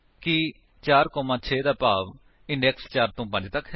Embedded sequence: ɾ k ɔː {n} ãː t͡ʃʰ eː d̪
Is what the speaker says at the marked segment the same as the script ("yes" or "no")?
no